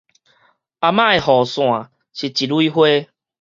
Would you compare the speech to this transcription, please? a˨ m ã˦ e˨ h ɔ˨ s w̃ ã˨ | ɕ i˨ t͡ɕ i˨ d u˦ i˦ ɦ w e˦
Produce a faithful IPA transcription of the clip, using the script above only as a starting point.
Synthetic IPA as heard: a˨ m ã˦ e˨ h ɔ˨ s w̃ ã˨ | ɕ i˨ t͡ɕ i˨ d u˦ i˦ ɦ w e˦